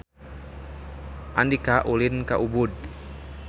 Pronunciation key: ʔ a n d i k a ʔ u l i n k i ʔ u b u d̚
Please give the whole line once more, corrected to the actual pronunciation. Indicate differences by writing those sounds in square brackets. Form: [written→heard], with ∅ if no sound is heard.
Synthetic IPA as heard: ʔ a n d i k a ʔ u l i n k [i→a] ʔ u b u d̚